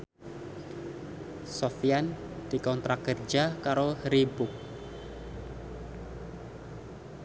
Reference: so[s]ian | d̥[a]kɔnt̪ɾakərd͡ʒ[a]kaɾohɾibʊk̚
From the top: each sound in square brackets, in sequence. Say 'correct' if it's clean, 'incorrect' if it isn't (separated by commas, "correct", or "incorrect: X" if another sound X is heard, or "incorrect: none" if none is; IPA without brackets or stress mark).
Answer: incorrect: f, incorrect: i, correct